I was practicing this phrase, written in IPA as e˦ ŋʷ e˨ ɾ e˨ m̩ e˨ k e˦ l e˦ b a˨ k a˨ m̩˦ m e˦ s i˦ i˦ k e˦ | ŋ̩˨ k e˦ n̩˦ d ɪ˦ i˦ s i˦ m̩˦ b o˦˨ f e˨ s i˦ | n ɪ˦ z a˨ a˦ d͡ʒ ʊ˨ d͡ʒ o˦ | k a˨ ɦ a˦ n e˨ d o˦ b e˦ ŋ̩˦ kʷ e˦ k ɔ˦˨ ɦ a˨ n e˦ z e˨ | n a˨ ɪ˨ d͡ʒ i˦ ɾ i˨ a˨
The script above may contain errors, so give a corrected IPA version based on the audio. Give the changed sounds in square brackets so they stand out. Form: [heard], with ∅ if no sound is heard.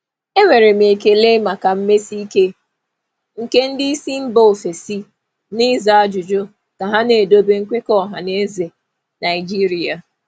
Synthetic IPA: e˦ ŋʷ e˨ ɾ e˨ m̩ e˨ k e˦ l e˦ [m] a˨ k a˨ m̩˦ m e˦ s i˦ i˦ k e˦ | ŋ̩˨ k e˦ n̩˦ d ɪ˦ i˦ s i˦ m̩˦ b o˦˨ f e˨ s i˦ | n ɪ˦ z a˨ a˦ d͡ʒ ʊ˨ d͡ʒ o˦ | k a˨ ɦ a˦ n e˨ d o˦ b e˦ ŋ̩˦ kʷ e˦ k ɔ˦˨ ɦ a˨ n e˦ z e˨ | n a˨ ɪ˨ d͡ʒ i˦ ɾ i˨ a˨